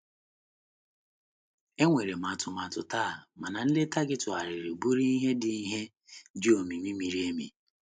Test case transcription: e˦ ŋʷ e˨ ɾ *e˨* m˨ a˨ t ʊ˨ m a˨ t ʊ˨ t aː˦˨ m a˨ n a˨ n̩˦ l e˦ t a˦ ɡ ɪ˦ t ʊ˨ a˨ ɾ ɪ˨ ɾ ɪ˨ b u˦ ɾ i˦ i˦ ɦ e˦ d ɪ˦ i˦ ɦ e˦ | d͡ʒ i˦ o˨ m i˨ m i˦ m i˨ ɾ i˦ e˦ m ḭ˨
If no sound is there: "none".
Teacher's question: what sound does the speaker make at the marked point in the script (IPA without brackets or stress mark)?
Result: e˨